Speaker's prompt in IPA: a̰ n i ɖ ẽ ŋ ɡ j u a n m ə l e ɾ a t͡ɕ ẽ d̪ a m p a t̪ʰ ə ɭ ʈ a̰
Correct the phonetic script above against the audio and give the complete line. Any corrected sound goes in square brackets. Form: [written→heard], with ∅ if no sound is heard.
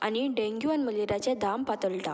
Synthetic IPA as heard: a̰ n i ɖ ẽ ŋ ɡ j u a n m ə l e ɾ a t͡ɕ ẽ d̪ a m p a [t̪ʰ→t̪] ə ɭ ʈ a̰